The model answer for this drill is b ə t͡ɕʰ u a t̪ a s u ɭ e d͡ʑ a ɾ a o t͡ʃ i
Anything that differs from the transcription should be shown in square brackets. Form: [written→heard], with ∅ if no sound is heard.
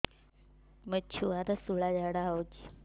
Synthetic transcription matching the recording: [b→m] ə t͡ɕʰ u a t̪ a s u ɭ [e→a] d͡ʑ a [ɾ→ɽ] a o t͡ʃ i